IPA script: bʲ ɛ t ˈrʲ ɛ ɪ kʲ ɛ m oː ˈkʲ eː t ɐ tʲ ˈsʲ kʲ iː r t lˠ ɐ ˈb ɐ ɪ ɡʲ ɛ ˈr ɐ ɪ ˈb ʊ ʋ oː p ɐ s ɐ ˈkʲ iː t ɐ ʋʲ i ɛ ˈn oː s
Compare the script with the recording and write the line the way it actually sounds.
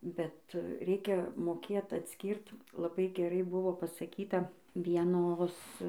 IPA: bʲ ɛ t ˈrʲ ɛ ɪ kʲ ɛ m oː ˈkʲ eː t ɐ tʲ ˈsʲ kʲ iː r t lˠ ɐ ˈb ɐ ɪ ɡʲ ɛ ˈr ɐ ɪ ˈb ʊ ʋ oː p ɐ s ɐ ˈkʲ iː t ɐ ʋʲ i ɛ ˈn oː s